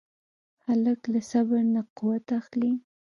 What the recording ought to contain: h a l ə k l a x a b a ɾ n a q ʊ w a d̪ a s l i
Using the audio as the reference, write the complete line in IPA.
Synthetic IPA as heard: h a l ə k l a s a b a ɾ n a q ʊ w a t̪ a x l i